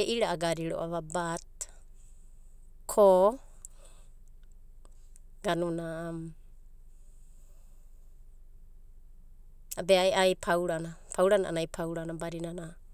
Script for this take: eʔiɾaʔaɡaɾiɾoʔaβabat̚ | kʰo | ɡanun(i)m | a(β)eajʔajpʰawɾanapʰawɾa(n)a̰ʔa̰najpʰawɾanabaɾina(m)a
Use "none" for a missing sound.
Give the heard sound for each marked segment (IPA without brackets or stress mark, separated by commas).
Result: a, b, n, n